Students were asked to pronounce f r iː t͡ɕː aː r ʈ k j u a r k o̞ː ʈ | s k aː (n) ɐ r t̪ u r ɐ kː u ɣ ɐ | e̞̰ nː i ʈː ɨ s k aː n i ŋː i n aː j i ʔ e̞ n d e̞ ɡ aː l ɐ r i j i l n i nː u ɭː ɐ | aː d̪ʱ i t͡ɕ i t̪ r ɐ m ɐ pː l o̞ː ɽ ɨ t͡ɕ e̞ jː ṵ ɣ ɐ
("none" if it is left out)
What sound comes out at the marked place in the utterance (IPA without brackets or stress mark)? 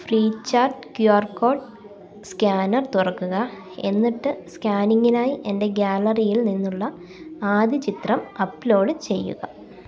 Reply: n